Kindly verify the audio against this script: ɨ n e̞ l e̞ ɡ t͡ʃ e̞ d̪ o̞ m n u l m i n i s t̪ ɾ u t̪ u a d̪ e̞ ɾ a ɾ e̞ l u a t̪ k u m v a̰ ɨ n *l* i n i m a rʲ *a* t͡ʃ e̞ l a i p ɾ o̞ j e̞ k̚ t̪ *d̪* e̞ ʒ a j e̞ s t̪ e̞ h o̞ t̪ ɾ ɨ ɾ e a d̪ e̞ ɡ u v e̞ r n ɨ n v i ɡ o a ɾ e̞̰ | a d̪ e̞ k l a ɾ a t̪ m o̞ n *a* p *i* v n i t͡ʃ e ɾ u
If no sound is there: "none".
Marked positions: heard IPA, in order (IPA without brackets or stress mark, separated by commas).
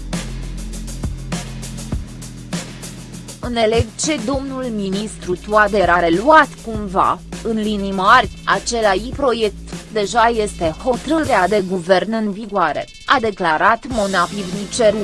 l, a, d̪, a, i